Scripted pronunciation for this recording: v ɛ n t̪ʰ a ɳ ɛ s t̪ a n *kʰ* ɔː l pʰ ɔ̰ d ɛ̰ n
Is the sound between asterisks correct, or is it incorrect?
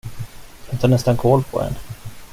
correct